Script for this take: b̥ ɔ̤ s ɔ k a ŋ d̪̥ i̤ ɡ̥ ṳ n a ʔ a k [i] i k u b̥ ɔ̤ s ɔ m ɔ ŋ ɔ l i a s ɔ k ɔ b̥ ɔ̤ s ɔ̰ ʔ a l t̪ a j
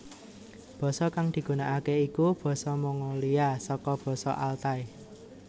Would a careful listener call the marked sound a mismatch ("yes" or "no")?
yes